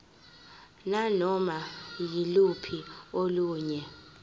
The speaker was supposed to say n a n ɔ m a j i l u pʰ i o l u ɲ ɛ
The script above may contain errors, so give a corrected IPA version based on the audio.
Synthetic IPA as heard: n a n ɔ m a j i l u pʰ i o l uː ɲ ɛ